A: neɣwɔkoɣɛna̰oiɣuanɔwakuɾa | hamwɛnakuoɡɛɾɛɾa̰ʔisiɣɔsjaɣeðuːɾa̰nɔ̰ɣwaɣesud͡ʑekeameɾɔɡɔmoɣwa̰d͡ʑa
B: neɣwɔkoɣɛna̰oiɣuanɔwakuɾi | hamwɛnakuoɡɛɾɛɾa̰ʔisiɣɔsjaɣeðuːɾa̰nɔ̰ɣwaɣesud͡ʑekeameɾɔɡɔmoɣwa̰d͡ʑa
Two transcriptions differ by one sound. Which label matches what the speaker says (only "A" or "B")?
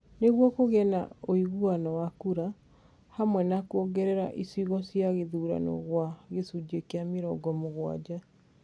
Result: A